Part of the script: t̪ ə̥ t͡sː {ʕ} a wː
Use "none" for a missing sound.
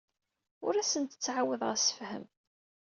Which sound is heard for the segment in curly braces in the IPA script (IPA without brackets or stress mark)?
ʕ